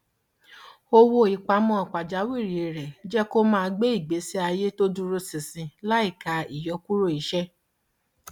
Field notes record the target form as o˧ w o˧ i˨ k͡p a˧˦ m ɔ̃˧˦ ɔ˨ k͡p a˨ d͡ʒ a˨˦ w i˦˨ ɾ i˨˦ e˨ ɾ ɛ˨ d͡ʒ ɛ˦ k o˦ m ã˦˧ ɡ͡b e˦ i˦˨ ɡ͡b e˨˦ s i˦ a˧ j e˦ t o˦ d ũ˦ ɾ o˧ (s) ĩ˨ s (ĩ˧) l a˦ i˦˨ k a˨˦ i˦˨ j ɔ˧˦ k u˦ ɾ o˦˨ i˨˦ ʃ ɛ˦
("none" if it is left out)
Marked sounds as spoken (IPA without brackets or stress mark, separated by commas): s, ĩ˧